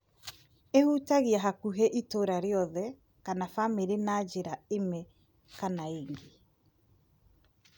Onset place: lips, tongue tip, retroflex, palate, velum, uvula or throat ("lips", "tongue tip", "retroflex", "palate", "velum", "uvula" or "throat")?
throat